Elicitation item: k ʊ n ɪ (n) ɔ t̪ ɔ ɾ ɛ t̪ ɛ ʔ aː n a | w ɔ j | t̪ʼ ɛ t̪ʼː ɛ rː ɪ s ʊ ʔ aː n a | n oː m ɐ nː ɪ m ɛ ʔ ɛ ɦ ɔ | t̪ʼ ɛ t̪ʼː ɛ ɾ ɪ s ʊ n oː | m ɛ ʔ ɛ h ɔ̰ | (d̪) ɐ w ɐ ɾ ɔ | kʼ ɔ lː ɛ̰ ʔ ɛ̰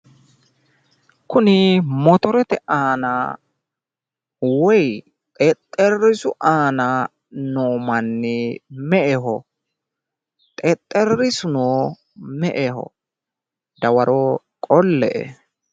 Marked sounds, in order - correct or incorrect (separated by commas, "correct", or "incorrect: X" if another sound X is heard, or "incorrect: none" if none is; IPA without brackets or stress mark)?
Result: incorrect: m, correct